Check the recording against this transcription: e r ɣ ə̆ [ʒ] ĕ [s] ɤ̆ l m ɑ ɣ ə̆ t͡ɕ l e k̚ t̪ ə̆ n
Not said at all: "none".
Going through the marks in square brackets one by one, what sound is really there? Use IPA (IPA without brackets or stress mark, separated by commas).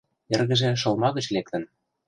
ʒ, ʃ